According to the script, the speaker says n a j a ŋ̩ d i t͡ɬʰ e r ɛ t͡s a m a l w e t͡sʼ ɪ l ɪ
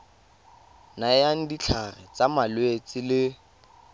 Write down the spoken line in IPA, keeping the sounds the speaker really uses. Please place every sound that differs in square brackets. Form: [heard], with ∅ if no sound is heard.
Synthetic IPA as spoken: n a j a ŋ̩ d i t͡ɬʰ [a] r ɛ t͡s a m a l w e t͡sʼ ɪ l ɪ

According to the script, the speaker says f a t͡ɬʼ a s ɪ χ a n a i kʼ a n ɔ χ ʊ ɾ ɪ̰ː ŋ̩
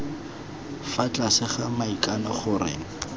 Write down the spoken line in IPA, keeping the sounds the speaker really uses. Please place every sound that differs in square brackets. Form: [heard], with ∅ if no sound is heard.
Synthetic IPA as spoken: f a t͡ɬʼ a s ɪ χ a [m] a i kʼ a n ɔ χ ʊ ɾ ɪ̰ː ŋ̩

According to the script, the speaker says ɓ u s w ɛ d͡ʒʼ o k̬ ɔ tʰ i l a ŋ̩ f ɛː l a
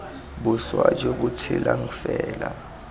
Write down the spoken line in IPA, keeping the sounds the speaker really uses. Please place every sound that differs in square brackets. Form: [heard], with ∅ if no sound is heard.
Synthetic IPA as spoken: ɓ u s w [a] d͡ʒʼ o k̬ [u] tʰ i l a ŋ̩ f ɛː l a

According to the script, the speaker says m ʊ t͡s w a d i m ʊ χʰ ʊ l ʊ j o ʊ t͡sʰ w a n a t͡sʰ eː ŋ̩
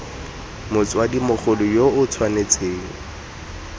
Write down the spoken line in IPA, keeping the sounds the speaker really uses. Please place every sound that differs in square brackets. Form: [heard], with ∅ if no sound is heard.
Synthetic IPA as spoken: m ʊ t͡s w a d i m ʊ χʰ ʊ l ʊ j o ʊ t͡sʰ w a n [e] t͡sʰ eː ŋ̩

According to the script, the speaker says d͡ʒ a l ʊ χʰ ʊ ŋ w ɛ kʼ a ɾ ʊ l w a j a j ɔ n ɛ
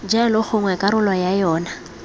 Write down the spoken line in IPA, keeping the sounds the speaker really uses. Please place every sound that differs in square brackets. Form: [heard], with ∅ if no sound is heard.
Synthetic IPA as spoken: d͡ʒ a l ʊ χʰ ʊ ŋ w ɛ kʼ a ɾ ʊ l w a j a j [ɔː] n [a]

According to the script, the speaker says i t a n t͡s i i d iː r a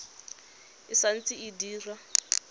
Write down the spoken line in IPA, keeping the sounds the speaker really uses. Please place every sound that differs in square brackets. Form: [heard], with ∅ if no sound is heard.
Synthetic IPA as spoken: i [s] a n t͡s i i d iː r a

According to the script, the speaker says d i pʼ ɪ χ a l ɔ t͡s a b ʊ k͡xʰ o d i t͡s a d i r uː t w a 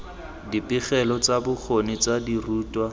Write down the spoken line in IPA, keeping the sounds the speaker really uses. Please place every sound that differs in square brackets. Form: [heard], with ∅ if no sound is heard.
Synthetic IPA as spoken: d i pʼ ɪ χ [ɛ] l ɔ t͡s a b ʊ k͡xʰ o [n] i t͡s a d i r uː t w a

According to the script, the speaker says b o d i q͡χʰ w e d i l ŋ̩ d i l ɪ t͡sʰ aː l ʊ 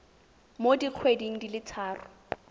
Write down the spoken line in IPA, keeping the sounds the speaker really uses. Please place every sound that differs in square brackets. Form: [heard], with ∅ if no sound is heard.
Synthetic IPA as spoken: [m] o d i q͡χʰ w e d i [∅] ŋ̩ d i l ɪ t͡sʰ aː [r] ʊ

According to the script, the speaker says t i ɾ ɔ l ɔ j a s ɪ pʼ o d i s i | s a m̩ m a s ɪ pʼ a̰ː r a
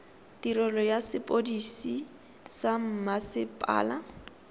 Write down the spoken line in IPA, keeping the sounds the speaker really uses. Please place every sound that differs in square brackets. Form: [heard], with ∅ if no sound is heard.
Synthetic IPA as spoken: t i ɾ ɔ l ɔ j a s ɪ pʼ o d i s i | s a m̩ m a s ɪ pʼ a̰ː [l] a

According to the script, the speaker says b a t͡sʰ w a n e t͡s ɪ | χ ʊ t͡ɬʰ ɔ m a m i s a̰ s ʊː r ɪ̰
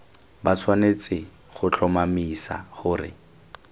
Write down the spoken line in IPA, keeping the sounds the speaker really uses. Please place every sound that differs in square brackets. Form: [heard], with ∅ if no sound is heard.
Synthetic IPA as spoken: b a t͡sʰ w a n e t͡s ɪ | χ ʊ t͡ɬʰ ɔ m a m i s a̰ [χ] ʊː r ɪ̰

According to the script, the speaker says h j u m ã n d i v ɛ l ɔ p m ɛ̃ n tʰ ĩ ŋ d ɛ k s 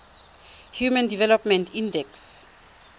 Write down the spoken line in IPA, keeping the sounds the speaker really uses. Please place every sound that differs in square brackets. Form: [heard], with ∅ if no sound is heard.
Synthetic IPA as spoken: h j u m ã n d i v ɛ l ɔ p m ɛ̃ n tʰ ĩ [n] d ɛ k s

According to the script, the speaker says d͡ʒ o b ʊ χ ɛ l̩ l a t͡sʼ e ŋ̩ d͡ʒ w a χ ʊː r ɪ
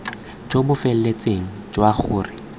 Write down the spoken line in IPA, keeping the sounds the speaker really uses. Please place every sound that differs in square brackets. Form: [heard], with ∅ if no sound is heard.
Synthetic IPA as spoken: d͡ʒ o b ʊ [f] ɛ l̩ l [e] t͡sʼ e ŋ̩ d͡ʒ w a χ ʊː r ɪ

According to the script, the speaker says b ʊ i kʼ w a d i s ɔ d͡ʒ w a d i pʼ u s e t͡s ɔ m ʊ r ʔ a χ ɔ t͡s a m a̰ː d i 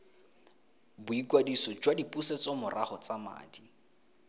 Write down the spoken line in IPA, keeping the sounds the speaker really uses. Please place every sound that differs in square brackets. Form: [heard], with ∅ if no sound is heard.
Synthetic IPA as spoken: b ʊ i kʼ w a d i s ɔ d͡ʒ w a d i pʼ u s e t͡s ɔ m ʊ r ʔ a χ ɔ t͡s a m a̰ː d i

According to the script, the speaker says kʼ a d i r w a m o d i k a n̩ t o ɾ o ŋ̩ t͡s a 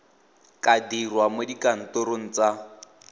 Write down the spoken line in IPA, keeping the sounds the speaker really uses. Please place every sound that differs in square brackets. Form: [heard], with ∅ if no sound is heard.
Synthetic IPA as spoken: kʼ a d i r w a m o d i k a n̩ t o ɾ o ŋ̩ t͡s a

